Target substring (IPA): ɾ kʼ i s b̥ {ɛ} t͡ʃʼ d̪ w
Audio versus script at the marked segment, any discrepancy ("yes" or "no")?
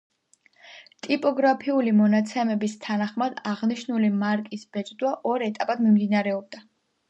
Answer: no